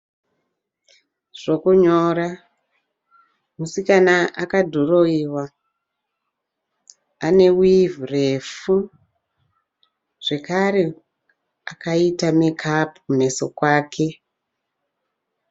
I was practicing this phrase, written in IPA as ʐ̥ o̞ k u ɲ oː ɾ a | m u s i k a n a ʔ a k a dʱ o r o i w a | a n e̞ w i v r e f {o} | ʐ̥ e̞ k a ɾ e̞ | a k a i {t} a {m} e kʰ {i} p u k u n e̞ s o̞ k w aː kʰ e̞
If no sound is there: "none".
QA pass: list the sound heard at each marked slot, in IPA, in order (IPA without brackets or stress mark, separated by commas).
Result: u, t, m, a